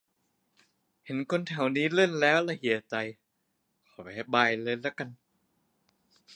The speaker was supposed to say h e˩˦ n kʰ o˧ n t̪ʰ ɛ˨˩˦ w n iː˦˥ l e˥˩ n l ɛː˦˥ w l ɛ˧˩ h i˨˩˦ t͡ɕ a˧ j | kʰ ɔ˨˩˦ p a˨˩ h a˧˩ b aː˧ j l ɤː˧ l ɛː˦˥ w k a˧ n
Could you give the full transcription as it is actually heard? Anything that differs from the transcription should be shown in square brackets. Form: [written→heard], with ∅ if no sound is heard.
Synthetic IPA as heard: h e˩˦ n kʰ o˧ n t̪ʰ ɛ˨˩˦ w n iː˦˥ l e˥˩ n l ɛː˦˥ w l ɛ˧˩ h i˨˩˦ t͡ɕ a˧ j | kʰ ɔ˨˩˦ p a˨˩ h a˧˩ b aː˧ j l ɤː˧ l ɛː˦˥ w k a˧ n